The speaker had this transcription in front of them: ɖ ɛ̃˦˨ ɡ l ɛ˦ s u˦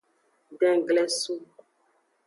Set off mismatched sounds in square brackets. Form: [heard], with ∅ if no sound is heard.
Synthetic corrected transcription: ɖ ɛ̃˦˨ ɡ l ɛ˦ s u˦

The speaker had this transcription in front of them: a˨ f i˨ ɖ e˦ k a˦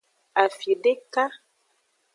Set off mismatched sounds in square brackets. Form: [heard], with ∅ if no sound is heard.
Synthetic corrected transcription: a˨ f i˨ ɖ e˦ k a˦

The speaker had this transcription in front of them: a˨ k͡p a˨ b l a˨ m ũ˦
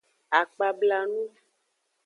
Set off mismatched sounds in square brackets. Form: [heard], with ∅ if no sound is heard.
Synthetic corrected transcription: a˨ k͡p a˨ b l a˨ [n] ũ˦

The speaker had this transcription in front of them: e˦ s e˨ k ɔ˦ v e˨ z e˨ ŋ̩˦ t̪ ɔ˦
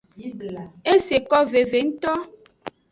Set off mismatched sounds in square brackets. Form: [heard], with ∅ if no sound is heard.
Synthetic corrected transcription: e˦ s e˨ k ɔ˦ v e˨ [v] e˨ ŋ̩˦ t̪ ɔ˦

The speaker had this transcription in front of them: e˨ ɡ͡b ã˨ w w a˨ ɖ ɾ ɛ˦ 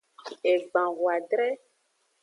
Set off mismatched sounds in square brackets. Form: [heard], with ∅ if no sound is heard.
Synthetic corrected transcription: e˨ ɡ͡b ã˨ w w a˨ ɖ ɾ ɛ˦

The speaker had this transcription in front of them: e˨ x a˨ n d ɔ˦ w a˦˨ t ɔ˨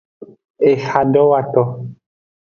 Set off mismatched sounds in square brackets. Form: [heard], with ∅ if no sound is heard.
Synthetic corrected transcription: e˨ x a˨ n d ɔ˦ w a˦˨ t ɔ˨

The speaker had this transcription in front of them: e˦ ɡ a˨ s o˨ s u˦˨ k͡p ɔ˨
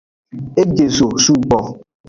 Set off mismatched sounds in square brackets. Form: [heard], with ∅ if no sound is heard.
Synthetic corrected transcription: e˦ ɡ [e˨] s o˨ s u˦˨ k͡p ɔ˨

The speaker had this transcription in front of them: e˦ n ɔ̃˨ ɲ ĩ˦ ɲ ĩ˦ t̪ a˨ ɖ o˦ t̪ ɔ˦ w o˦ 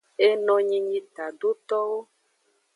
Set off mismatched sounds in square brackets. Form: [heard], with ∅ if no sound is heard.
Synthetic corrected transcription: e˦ n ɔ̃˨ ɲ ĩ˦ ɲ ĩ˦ t̪ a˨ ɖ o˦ t̪ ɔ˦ w o˦

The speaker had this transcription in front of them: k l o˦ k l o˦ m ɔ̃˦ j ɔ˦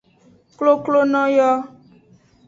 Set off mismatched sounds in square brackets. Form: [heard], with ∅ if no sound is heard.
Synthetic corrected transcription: k l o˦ k l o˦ [n] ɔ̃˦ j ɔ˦

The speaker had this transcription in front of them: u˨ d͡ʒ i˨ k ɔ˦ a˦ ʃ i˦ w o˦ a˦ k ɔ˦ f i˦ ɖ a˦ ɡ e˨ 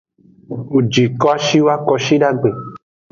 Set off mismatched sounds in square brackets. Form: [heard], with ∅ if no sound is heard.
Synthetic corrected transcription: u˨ d͡ʒ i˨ k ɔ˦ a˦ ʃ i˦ w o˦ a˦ k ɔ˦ [ʃ] i˦ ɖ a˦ [ɡ͡b] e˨

